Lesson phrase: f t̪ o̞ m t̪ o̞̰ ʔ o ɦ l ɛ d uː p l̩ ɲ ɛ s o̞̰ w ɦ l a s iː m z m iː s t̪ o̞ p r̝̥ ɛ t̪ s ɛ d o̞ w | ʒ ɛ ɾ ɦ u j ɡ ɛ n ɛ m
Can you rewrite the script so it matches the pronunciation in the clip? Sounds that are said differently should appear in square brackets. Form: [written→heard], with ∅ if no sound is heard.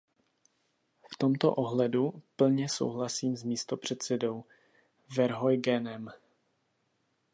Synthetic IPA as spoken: f t̪ o̞ m t̪ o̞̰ ʔ o ɦ l ɛ d [uː→u] p l̩ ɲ ɛ s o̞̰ w ɦ l a s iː m z m iː s t̪ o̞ p r̝̥ ɛ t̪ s ɛ d o̞ w | [ʒ→v] ɛ ɾ ɦ [u→o] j ɡ ɛ n ɛ m